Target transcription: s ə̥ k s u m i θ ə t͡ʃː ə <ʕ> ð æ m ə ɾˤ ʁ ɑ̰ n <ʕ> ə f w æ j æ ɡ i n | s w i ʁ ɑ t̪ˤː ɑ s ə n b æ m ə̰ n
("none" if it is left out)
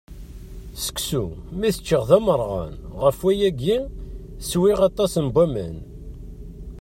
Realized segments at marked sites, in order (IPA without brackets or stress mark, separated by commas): ʁ, ʁ